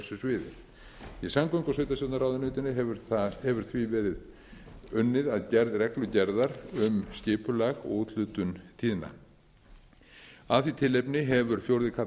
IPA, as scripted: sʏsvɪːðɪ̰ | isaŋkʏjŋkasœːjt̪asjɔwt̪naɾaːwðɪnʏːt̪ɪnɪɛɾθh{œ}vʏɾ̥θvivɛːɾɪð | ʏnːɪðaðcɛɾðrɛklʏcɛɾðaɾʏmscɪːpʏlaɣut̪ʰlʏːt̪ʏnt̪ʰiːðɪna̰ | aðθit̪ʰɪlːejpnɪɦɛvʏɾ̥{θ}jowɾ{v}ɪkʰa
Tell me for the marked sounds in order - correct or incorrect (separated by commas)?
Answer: incorrect, incorrect, incorrect